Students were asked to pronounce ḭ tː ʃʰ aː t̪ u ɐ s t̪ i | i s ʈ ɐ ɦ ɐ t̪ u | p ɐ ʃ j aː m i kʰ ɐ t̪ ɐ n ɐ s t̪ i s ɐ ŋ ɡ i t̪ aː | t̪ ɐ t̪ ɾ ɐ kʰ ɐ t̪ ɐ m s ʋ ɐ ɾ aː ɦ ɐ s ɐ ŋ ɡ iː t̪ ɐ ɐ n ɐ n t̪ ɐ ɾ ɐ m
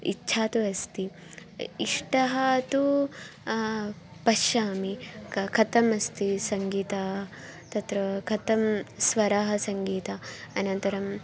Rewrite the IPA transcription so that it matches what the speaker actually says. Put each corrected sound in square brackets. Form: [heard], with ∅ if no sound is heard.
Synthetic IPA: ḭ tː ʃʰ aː t̪ u ɐ s t̪ i | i [ʂ] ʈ ɐ ɦ ɐ t̪ u | p ɐ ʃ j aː m i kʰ ɐ t̪ ɐ [m] ɐ s t̪ i s ɐ ŋ ɡ [iː] t̪ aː | t̪ ɐ t̪ ɾ ɐ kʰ ɐ t̪ ɐ m s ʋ ɐ ɾ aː ɦ ɐ s ɐ ŋ ɡ iː t̪ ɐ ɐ n ɐ n t̪ ɐ ɾ ɐ m